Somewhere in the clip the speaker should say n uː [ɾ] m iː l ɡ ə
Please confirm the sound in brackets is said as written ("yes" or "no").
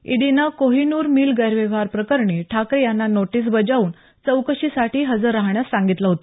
yes